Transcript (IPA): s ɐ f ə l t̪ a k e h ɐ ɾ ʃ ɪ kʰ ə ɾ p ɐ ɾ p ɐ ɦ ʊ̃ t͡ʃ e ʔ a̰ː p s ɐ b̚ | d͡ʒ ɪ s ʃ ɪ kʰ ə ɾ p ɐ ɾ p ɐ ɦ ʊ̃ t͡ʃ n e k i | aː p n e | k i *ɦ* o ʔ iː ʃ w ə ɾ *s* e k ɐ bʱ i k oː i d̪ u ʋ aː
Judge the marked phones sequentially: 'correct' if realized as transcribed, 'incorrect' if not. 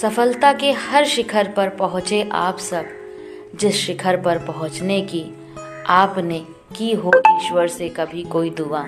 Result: correct, correct

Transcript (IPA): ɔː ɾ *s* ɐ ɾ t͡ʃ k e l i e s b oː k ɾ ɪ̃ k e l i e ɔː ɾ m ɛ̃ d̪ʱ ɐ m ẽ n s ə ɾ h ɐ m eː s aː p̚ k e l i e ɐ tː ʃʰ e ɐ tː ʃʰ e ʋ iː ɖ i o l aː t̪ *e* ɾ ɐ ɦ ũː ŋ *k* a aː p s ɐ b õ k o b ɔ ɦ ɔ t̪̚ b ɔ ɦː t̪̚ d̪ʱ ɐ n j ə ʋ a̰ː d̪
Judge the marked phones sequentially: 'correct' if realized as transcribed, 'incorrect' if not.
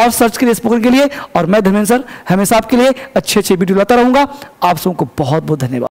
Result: correct, incorrect, incorrect

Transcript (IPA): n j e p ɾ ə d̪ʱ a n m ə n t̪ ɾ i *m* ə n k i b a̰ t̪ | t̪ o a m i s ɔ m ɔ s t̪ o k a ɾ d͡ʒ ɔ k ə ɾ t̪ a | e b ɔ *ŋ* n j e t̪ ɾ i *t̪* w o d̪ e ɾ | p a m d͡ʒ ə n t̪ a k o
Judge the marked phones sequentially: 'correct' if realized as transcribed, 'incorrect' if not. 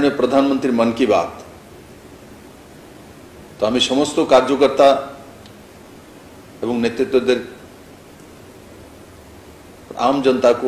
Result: correct, correct, correct

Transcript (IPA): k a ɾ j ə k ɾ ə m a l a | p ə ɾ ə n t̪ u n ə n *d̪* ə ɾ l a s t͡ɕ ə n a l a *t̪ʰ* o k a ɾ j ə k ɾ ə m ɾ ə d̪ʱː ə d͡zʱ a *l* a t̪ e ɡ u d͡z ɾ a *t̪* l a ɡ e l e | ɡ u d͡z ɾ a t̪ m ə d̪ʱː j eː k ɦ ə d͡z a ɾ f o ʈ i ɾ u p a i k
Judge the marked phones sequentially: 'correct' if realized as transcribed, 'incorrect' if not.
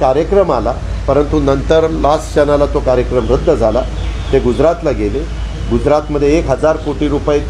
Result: incorrect, incorrect, correct, correct

